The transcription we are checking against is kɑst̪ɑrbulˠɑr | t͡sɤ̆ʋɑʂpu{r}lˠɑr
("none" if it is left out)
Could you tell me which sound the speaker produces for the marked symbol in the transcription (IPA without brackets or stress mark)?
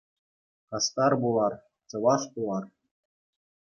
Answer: none